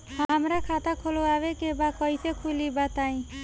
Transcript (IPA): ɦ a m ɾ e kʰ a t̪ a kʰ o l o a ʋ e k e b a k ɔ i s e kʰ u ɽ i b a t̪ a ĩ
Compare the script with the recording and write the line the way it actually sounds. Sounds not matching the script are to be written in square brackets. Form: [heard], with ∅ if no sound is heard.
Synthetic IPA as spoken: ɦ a m ɾ [a] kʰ a t̪ a kʰ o l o a ʋ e k e b a k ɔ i s e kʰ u [l] i b a t̪ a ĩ

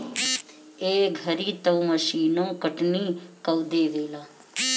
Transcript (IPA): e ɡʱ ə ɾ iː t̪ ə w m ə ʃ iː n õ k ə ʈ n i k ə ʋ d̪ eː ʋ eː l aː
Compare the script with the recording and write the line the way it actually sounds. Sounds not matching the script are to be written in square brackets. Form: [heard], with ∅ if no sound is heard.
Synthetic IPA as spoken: e ɡʱ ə ɾ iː t̪ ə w m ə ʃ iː n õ k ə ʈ n i k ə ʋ d̪ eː ʋ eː l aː

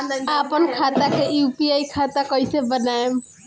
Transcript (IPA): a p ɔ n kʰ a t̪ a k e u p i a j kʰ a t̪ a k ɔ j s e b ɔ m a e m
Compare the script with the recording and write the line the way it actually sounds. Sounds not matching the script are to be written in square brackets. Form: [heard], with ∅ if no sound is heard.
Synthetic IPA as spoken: a p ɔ n kʰ a t̪ a k e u p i a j kʰ a t̪ a k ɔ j s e b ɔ [n] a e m

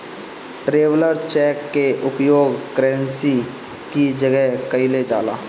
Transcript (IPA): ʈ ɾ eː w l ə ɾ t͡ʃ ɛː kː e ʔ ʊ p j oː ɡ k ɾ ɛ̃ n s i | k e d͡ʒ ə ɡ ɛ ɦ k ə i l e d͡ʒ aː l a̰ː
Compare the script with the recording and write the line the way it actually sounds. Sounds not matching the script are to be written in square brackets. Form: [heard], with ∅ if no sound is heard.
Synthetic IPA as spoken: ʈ ɾ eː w l ə ɾ t͡ʃ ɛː kː e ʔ ʊ p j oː ɡ k ɾ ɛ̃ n s i | k [i] d͡ʒ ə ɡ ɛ ɦ k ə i l e d͡ʒ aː l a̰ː

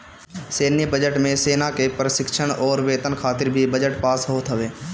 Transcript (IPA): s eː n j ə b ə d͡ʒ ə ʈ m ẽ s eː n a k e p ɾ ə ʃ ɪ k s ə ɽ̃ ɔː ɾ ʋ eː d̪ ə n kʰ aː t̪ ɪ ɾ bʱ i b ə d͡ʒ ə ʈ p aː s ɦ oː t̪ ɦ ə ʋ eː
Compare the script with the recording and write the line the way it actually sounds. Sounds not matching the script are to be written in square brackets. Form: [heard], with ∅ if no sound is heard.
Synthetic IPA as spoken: s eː n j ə b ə d͡ʒ ə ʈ m ẽ s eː n a k e p ɾ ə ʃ ɪ k [ʃ] ə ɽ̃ ɔː ɾ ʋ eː [t̪] ə n kʰ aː t̪ ɪ ɾ bʱ i b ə d͡ʒ ə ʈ p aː s ɦ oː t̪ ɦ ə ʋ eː

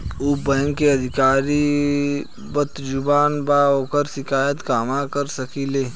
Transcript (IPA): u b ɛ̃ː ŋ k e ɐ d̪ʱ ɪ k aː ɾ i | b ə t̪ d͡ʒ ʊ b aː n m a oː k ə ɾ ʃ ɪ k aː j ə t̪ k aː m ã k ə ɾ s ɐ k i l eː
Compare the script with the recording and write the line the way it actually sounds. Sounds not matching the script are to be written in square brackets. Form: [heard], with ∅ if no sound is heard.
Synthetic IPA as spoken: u b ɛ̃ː ŋ k e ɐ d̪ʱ ɪ k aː ɾ i | b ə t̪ d͡ʒ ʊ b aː n [b] a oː k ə ɾ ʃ ɪ k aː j ə t̪ k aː m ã k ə ɾ s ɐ k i l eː

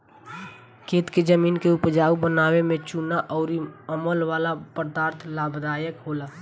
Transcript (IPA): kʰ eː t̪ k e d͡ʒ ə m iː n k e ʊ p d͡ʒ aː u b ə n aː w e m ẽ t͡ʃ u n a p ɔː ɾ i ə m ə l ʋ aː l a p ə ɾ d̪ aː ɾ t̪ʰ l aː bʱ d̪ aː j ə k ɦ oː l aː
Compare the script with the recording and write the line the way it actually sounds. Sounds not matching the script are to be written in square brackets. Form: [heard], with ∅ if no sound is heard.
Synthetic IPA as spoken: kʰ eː t̪ k e d͡ʒ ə m iː n k e ʊ p d͡ʒ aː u b ə n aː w e m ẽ t͡ʃ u n a [ʔ] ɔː ɾ i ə m ə l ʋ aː l a p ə ɾ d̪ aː ɾ t̪ʰ l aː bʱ d̪ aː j ə k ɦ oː l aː

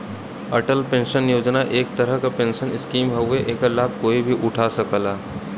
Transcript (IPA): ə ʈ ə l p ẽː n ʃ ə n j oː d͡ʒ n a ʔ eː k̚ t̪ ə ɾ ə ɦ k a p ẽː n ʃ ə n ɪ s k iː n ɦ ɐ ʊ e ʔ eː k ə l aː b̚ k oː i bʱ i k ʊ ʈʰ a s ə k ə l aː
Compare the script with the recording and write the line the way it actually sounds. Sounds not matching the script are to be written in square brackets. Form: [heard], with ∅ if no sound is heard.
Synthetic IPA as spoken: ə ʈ ə l p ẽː n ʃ ə n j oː d͡ʒ n a ʔ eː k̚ t̪ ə ɾ ə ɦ k a p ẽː n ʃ ə n ɪ s k iː [m] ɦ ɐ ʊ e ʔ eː k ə l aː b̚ k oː i bʱ i [ʔ] ʊ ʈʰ a s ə k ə l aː

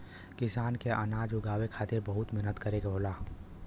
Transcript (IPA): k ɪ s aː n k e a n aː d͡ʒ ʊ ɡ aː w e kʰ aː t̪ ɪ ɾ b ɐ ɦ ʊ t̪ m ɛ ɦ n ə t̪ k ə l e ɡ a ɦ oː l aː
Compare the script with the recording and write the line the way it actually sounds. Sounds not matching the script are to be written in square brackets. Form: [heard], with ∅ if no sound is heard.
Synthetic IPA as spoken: k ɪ s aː n k e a n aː d͡ʒ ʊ ɡ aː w e kʰ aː t̪ ɪ ɾ b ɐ ɦ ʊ t̪ m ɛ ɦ n ə t̪ k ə [ɾ] e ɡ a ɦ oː l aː

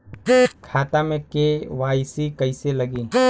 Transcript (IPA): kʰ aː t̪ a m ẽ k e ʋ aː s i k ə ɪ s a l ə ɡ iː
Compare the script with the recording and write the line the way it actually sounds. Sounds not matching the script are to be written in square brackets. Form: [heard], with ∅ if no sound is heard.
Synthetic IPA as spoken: kʰ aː t̪ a m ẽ k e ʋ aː s i k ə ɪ s [e] l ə ɡ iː

